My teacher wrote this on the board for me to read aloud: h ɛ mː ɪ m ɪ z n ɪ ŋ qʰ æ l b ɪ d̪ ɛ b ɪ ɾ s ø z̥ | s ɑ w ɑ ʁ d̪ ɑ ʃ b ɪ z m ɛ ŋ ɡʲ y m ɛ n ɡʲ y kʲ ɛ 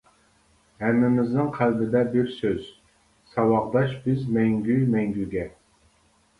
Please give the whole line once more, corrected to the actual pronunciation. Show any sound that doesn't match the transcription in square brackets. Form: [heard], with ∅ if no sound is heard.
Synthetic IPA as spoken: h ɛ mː ɪ m ɪ z n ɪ ŋ qʰ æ l b ɪ d̪ ɛ b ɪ ɾ s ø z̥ | s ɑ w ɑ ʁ d̪ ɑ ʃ b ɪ z m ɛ ŋ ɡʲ y m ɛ [ŋ] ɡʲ y [ɡʲ] ɛ